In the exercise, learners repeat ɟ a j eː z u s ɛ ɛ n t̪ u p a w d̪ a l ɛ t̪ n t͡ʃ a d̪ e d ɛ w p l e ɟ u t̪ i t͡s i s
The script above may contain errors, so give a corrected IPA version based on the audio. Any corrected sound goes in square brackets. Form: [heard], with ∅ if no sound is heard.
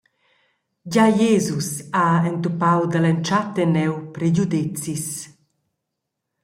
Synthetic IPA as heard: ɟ a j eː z u s [a] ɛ n t̪ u p a w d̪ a l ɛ [∅] n t͡ʃ a [t̪] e [n] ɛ w p [ɾ] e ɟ u [d̪] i t͡s i s